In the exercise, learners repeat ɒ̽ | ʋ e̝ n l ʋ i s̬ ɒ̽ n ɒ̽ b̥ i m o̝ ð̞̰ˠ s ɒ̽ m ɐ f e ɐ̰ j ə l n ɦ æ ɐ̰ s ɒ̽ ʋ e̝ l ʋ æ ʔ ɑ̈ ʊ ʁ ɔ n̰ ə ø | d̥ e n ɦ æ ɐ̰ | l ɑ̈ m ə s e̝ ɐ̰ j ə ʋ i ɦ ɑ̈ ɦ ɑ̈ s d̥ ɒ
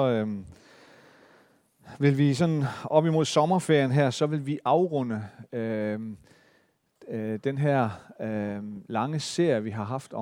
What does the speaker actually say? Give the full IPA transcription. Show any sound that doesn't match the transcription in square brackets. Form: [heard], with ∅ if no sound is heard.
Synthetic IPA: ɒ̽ | ʋ e̝ [∅] l ʋ i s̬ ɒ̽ n ɒ̽ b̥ i m o̝ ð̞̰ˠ s ɒ̽ m ɐ f e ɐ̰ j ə [∅] n ɦ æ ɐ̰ s ɒ̽ ʋ e̝ l ʋ [i] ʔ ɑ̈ ʊ ʁ ɔ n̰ ə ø | d̥ e n ɦ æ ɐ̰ | l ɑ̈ [ŋ] ə s e̝ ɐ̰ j ə ʋ i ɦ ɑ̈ ɦ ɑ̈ [f] d̥ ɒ